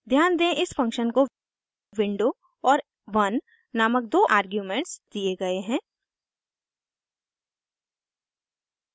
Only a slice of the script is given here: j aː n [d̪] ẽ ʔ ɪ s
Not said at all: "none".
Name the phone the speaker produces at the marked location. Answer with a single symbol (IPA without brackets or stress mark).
d̪